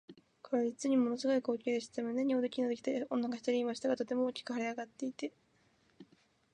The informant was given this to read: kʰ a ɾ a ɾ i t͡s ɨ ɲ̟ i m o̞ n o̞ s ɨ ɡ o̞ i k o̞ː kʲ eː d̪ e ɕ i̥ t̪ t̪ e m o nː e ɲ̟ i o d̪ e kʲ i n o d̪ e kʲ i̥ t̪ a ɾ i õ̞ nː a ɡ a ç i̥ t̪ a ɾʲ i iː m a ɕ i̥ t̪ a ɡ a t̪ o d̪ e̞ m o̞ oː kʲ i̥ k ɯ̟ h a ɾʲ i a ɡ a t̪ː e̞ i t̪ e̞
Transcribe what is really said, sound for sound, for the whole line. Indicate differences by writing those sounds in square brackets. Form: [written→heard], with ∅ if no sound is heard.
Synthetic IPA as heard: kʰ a ɾ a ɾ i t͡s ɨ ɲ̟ i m o̞ n o̞ s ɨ ɡ o̞ i k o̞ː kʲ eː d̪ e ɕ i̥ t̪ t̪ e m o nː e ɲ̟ i o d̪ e kʲ i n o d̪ e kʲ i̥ t̪ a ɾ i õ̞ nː a ɡ a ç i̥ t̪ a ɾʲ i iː m a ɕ i̥ t̪ a ɡ a t̪ o [d̪→t̪] e̞ m o̞ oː kʲ i̥ k ɯ̟ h a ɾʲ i a ɡ a t̪ː e̞ i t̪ e̞